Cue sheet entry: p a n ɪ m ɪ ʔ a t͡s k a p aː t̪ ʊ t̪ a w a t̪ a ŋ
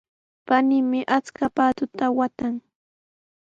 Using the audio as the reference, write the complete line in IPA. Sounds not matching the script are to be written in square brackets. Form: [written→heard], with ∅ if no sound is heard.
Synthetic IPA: p a n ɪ m ɪ ʔ a t͡s k a p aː t̪ ʊ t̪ a w a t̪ a ŋ